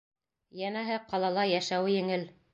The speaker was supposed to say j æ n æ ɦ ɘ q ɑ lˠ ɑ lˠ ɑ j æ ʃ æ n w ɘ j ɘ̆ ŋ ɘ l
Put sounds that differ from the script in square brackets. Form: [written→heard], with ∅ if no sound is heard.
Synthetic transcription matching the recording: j æ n æ ɦ ɘ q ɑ lˠ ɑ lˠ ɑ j æ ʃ æ [n→∅] w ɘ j ɘ̆ ŋ ɘ l